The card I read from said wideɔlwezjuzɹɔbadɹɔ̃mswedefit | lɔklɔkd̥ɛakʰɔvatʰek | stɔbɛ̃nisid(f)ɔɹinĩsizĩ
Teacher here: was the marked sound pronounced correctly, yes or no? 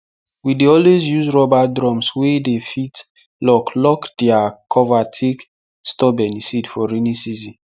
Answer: yes